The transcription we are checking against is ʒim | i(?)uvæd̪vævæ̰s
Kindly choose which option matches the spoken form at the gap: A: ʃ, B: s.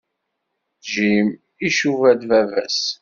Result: A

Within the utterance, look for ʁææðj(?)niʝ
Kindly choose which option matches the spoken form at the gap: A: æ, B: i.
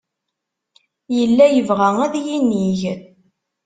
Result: B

